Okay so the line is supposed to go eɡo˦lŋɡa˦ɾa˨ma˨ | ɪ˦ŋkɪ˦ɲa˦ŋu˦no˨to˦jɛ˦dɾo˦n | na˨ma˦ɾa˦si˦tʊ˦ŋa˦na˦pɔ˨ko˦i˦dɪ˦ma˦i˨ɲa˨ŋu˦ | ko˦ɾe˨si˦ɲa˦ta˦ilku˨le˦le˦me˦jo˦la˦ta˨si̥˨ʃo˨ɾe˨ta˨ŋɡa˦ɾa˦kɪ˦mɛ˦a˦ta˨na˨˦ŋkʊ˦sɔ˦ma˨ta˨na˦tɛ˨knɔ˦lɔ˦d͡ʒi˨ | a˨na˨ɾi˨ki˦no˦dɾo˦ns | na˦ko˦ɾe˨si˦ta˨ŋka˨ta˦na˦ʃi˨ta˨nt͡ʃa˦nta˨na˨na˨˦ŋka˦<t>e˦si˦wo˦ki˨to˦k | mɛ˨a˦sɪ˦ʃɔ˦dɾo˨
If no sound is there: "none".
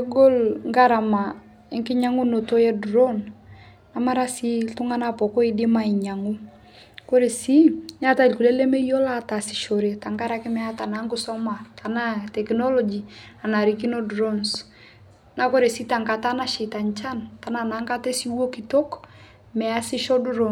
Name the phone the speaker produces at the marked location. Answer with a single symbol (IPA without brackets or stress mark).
t